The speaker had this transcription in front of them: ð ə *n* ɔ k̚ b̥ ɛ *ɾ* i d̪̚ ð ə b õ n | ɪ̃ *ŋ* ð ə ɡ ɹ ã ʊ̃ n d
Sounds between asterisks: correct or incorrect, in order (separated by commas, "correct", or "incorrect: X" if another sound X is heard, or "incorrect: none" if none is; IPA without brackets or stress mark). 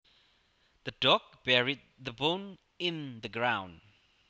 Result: incorrect: d, incorrect: ɹ, incorrect: n